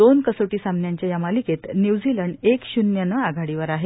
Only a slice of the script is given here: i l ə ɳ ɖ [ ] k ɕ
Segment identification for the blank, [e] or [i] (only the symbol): e